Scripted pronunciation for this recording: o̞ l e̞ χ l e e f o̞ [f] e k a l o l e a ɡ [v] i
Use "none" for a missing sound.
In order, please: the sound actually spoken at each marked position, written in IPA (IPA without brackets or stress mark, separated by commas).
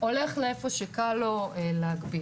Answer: ʃ, b